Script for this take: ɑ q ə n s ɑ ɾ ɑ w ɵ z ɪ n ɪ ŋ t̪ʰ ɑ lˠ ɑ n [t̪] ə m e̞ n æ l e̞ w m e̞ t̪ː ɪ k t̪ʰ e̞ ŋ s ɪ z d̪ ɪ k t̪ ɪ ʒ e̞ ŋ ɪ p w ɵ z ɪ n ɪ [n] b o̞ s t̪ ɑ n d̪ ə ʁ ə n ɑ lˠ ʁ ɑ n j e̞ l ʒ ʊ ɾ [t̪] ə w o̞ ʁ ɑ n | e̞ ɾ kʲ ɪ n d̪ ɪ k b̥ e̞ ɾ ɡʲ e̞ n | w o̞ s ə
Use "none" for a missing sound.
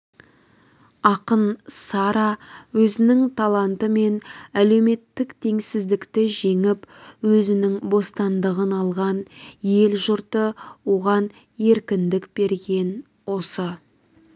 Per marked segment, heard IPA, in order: t̪, ŋ, t̪

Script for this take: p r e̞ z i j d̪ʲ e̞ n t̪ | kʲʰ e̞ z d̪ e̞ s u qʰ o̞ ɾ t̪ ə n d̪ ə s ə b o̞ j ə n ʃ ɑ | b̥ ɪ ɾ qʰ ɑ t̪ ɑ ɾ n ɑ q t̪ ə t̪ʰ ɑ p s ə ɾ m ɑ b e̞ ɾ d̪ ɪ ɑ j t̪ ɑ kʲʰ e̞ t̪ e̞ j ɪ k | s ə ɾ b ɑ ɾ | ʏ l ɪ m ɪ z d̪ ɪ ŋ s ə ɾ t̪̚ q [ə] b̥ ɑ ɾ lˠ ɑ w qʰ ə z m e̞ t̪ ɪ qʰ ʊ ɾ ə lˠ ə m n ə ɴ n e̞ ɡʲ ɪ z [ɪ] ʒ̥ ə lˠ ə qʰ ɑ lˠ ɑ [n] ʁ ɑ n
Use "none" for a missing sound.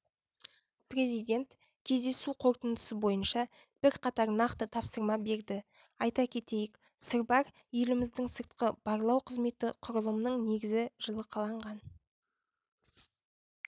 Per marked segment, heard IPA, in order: ə, ɪ, ɴ

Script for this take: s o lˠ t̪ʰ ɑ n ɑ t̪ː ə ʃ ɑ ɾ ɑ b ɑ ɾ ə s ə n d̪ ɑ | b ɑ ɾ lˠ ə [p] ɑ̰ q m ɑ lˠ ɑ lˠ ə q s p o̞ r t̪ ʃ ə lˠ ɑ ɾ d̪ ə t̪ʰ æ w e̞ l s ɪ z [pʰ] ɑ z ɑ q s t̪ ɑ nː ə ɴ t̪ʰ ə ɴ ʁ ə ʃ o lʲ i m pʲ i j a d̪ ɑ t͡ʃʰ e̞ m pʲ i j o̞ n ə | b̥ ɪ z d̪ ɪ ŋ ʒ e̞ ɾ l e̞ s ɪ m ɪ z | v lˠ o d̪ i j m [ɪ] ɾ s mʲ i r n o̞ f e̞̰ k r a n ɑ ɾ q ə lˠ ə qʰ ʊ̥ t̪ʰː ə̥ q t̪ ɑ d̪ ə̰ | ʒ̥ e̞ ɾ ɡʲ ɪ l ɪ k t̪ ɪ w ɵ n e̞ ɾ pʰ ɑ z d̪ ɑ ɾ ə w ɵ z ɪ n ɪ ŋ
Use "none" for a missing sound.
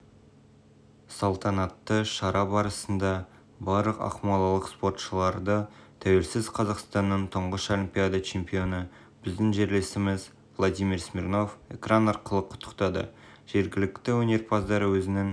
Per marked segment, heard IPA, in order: q, qʰ, i

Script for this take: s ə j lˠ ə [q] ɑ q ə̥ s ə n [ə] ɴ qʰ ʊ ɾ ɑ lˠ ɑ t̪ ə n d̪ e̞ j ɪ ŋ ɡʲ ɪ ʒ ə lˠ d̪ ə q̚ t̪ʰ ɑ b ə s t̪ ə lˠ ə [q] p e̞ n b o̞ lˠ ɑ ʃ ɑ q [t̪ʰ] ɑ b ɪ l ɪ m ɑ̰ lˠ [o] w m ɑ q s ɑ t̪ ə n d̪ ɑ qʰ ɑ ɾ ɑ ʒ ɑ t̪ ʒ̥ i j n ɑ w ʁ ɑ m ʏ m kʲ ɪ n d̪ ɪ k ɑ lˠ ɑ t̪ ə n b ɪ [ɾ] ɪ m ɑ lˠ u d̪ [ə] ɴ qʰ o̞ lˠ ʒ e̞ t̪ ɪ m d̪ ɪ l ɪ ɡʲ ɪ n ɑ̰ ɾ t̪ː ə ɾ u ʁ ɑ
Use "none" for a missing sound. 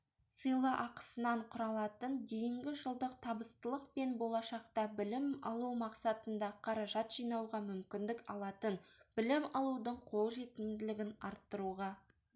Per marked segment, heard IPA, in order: ʔ, ɑ, q, t̪, u, l, ə

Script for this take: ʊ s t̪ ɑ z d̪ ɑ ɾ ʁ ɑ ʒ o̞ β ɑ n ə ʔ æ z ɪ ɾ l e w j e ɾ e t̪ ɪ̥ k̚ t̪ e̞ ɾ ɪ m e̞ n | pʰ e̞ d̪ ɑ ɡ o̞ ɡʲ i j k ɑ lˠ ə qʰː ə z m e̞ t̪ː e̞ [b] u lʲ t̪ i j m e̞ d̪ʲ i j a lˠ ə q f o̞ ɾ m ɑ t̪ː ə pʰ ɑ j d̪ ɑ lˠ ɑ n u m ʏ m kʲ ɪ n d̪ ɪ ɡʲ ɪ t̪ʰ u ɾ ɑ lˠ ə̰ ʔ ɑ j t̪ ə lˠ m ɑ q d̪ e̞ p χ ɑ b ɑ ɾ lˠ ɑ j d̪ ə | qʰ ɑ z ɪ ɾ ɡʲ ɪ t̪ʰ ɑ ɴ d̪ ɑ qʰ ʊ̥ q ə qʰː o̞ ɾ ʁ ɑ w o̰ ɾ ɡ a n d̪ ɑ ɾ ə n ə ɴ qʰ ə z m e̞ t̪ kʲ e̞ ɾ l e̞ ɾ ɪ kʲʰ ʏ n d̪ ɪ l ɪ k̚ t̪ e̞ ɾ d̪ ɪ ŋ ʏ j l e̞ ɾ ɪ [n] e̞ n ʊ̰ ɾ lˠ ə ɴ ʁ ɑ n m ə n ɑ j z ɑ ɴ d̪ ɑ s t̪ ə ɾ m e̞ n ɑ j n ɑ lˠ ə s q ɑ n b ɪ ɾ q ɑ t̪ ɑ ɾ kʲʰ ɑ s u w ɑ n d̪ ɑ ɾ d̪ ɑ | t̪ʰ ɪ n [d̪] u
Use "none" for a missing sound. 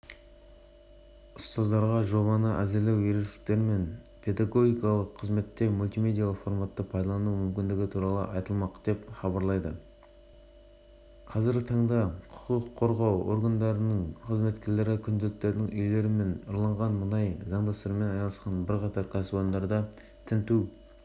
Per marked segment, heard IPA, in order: m, m, t̪

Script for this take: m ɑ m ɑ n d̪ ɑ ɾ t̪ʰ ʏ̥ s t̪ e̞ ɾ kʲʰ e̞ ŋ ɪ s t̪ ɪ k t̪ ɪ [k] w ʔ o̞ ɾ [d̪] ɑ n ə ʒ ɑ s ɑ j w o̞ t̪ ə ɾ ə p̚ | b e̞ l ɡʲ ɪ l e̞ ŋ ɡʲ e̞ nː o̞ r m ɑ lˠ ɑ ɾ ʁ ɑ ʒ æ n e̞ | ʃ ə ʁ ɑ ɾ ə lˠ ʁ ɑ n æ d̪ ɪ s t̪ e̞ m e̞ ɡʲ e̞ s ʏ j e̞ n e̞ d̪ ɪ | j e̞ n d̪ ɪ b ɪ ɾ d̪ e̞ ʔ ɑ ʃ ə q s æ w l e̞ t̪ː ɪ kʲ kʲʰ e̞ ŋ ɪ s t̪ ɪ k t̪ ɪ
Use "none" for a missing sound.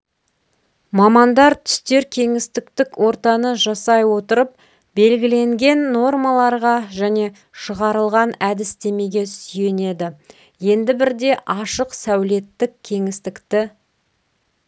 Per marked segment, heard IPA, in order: k, t̪

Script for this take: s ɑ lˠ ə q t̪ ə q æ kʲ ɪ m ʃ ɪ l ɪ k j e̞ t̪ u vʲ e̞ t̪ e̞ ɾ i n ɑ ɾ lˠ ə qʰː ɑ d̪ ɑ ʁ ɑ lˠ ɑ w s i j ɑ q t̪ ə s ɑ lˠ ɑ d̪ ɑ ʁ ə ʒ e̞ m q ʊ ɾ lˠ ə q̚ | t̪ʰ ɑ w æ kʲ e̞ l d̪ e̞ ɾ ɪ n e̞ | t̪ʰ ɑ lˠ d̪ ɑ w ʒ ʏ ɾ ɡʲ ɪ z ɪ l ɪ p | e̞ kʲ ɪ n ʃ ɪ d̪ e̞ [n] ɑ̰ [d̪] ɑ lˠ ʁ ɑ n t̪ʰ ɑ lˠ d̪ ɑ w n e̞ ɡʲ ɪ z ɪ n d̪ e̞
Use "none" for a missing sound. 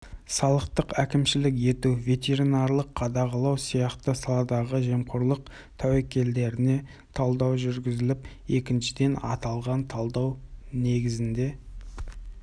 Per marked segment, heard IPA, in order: n, t̪

